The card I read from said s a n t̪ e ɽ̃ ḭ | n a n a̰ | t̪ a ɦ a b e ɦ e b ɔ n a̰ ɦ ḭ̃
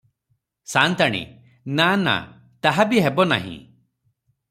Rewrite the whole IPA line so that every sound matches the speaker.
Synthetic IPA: s a n t̪ a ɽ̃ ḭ | n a n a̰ | t̪ a ɦ a b i ɦ e b ɔ n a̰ ɦ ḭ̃